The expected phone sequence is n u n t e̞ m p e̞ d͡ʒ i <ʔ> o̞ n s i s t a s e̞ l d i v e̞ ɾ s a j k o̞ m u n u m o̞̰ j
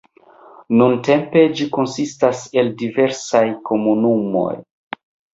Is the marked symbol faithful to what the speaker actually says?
no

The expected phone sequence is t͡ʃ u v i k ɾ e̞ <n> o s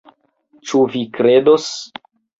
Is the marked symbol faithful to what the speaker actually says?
no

